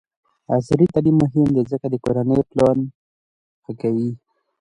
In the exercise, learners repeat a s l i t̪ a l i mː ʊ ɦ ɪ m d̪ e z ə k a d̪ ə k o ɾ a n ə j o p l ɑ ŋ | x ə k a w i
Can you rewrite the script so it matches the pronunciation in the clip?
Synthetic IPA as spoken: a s ɾ i t̪ a l i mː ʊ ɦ ɪ m d̪ e z ə k a d̪ ə k o ɾ a n ə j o p l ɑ n | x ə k a w i